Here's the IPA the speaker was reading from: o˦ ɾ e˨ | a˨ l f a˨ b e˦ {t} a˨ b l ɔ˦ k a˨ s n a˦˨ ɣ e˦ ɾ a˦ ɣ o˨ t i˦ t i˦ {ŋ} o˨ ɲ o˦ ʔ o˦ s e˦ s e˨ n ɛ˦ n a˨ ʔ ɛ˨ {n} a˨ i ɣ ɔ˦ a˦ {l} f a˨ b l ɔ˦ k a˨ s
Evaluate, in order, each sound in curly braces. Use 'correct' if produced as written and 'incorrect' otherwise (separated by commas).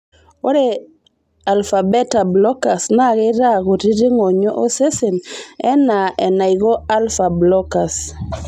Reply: correct, correct, correct, correct